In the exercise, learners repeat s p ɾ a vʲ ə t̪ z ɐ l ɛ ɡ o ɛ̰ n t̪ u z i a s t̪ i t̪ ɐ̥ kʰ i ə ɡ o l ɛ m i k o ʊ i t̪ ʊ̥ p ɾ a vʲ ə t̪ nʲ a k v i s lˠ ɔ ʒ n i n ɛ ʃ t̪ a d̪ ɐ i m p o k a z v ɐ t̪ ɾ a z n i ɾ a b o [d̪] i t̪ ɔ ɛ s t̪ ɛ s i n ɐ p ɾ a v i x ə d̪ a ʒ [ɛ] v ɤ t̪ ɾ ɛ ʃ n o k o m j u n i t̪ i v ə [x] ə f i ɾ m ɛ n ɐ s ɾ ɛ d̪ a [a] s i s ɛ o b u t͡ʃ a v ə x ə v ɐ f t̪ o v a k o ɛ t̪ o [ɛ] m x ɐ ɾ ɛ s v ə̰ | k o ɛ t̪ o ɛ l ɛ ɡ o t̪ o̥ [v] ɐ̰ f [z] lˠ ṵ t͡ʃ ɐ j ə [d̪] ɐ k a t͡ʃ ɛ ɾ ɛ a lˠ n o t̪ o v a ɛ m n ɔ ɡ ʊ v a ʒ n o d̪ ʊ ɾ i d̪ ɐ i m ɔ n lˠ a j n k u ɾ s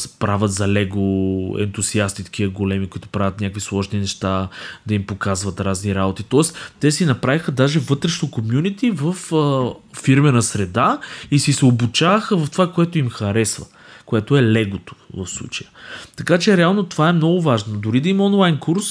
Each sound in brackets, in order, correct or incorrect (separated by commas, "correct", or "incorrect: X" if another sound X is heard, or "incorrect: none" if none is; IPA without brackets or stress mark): incorrect: t̪, correct, incorrect: f, incorrect: i, incorrect: i, correct, incorrect: s, incorrect: t̪